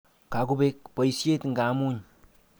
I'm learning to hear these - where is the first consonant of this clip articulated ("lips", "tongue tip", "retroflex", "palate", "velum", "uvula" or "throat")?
velum